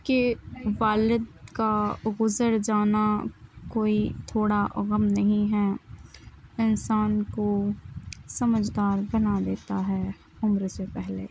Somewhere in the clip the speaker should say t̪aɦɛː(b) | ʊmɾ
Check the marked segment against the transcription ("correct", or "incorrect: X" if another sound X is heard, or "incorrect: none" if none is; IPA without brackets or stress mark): incorrect: none